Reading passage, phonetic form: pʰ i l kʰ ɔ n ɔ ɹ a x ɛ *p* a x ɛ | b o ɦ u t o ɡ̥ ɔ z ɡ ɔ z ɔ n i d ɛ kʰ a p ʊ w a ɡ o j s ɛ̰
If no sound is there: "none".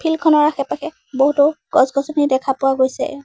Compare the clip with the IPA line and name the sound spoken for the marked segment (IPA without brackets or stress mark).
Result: p